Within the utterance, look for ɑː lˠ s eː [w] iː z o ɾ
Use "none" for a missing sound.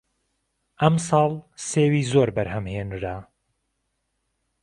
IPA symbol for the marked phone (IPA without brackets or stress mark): w